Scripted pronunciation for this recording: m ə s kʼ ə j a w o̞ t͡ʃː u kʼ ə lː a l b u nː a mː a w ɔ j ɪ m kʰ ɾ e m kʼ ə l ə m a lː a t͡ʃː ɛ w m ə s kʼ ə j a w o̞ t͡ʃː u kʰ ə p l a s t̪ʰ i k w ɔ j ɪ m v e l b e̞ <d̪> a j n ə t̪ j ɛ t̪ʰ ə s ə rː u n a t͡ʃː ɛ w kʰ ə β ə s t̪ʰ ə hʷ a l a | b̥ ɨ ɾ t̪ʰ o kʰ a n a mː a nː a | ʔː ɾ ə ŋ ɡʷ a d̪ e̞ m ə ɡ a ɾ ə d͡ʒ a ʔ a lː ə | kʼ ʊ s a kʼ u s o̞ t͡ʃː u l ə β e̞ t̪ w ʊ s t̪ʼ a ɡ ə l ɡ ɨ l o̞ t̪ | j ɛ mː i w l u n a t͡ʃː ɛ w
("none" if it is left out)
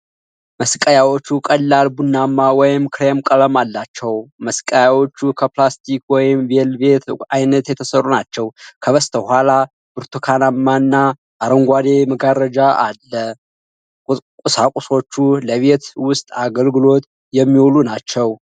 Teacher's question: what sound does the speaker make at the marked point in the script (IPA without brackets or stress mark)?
t̪